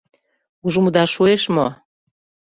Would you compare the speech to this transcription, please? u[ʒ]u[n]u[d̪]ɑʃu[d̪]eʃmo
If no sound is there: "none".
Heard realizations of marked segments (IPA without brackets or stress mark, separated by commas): ʒ, m, d̪, none